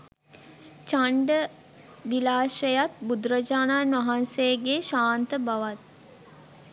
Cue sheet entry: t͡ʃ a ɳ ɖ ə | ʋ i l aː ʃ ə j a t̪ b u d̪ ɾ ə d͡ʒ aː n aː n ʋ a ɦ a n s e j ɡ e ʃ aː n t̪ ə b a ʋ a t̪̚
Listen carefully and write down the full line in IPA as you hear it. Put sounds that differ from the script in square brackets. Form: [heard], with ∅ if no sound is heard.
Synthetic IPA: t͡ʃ a ɳ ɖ ə | ʋ i l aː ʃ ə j a t̪ b u d̪ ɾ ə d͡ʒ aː n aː n ʋ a ɦ a n s e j ɡ e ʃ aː n t̪ ə b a ʋ a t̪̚